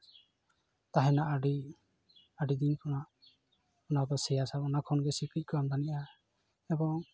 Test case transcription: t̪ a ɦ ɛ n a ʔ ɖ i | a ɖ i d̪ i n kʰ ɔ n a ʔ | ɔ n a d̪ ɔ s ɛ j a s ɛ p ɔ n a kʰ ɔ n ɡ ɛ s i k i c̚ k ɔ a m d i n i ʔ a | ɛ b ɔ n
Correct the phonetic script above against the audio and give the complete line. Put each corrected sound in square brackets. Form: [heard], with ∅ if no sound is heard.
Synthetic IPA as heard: t̪ a ɦ ɛ n a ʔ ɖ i | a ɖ i d̪ i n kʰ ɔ n a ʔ | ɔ n a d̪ ɔ s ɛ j a s [a] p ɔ n a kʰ ɔ n ɡ ɛ s i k i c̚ k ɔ a m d [a] n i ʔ a | ɛ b ɔ [ŋ]

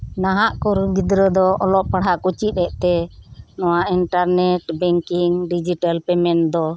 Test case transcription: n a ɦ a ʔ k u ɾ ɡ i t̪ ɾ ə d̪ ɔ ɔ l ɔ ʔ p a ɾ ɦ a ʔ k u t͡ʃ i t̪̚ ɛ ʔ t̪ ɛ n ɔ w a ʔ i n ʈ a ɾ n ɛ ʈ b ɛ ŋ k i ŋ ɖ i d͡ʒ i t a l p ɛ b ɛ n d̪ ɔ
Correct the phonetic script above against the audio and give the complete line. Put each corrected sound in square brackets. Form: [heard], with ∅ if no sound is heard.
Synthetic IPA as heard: n a ɦ a ʔ k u ɾ ɡ i [d̪] ɾ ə d̪ ɔ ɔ l ɔ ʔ p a [ɽ] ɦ a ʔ k u t͡ʃ i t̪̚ ɛ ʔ t̪ ɛ n ɔ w a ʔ i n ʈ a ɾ n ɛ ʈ b ɛ ŋ k i ŋ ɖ i d͡ʒ i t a l p ɛ [m] ɛ n d̪ ɔ

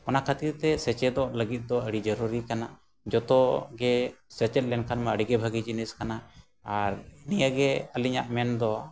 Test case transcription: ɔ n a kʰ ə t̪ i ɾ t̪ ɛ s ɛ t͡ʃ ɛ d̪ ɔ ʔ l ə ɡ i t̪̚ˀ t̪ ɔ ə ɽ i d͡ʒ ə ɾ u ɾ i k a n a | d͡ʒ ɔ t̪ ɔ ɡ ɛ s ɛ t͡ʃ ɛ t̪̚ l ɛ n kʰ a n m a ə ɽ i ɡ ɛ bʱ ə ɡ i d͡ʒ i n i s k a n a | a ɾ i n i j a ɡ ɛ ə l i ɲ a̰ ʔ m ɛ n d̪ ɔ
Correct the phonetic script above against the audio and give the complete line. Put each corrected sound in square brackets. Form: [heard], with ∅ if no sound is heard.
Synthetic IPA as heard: ɔ n a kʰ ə t̪ i ɾ t̪ ɛ s ɛ t͡ʃ ɛ d̪ ɔ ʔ l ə ɡ i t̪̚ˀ [d̪] ɔ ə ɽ i d͡ʒ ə ɾ u ɾ i k a n a | d͡ʒ ɔ t̪ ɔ ɡ ɛ s ɛ t͡ʃ ɛ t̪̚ l ɛ n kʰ a n m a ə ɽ i ɡ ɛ bʱ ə ɡ i d͡ʒ i n i s k a n a | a ɾ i n i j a ɡ ɛ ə l i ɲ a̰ ʔ m ɛ n d̪ ɔ

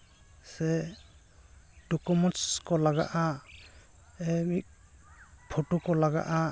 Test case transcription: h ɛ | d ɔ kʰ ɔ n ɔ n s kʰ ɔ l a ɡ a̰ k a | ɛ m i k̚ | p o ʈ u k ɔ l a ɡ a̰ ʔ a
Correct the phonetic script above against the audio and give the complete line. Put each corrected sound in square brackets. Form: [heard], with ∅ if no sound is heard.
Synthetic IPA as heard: [s] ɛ | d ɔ [k] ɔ [m] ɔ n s [k] ɔ l a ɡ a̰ [ʔ] a | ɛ m i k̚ | [pʰ] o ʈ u k ɔ l a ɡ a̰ ʔ a

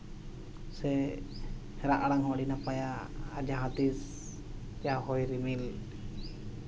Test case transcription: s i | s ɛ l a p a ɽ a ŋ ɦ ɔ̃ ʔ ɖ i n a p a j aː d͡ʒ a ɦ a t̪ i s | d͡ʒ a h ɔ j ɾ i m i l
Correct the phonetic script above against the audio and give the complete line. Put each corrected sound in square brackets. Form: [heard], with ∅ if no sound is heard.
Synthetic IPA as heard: s [ɛ] | [h] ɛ [ɾ] a [ʔ] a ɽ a ŋ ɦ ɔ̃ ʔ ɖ i n a p a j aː d͡ʒ a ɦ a t̪ i s | d͡ʒ a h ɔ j ɾ i m i l

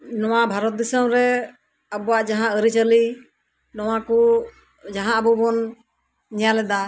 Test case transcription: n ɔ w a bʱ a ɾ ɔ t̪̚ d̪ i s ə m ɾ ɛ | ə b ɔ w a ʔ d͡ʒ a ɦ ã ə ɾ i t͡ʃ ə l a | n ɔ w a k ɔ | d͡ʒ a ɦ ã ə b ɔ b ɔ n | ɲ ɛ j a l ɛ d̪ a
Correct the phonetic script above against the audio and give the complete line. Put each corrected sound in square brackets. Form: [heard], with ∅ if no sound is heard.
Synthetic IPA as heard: n ɔ w a bʱ a ɾ ɔ t̪̚ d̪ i s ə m ɾ ɛ | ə b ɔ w a ʔ d͡ʒ a ɦ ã ə ɾ i t͡ʃ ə l [i] | n ɔ w a k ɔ | d͡ʒ a ɦ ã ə b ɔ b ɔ n | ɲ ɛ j a l ɛ d̪ a

